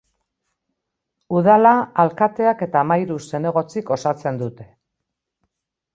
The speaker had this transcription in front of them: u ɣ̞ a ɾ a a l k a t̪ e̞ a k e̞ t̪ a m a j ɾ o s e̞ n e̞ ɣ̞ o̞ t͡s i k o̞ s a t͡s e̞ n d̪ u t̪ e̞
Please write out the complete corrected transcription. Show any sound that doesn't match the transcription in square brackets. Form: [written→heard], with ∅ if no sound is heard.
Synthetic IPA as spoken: u [ɣ̞→ð̞] a [ɾ→l] a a l k a t̪ e̞ a k e̞ t̪ a m a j ɾ [o→u] s e̞ n e̞ ɣ̞ o̞ t͡s i k o̞ s a t͡s e̞ n d̪ u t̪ e̞